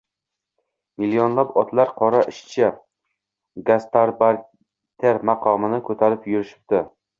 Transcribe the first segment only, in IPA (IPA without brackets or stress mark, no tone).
m